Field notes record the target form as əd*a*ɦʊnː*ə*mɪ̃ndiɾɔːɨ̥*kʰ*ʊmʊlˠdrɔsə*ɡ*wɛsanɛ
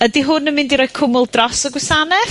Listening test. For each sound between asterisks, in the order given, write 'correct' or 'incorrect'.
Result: incorrect: i, correct, correct, correct

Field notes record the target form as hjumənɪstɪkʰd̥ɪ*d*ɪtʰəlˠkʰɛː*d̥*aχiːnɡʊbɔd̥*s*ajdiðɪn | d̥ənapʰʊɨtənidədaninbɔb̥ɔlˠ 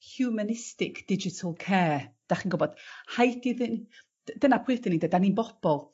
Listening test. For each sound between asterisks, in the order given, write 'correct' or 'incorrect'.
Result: incorrect: d͡ʒ, correct, incorrect: h

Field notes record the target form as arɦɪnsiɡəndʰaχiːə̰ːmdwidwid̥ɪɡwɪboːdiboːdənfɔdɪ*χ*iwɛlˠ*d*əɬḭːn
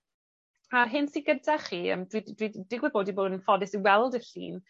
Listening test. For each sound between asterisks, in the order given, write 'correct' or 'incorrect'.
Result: incorrect: s, correct

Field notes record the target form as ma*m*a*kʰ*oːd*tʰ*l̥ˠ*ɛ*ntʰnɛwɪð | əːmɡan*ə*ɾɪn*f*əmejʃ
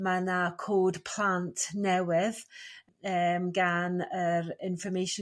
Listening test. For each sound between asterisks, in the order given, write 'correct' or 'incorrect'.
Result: incorrect: n, correct, incorrect: pʰ, incorrect: a, correct, correct

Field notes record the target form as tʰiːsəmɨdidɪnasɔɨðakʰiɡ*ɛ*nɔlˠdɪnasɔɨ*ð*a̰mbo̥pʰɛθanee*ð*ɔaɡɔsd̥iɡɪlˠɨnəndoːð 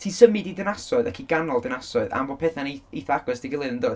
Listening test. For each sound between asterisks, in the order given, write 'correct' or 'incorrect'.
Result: incorrect: a, correct, incorrect: θ

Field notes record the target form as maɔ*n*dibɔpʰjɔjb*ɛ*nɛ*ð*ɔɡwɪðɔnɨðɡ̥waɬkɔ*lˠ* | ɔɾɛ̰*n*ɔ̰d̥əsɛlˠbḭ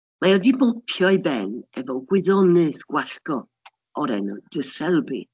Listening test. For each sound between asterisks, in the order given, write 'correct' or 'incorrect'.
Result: incorrect: none, correct, incorrect: v, incorrect: none, correct

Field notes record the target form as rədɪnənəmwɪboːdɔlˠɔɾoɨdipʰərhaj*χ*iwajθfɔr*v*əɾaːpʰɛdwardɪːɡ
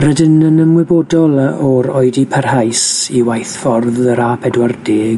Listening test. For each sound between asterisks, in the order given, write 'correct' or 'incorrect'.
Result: incorrect: s, incorrect: ð

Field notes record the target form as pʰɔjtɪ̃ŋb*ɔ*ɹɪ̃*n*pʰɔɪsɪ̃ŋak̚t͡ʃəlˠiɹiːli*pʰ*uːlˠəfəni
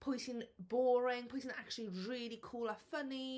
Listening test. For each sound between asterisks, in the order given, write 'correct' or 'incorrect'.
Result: incorrect: ɔː, incorrect: ŋ, incorrect: kʰ

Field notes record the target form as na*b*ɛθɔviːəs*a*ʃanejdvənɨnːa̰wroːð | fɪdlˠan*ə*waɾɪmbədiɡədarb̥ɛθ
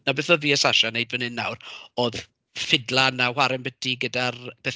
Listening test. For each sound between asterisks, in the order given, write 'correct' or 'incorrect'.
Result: correct, correct, incorrect: a

